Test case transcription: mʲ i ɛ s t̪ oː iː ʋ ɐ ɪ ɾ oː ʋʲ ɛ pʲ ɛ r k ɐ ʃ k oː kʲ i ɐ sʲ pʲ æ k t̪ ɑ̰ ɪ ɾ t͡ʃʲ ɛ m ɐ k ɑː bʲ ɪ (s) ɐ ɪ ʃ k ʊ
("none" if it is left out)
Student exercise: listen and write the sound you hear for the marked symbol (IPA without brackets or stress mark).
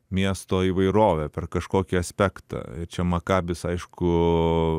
s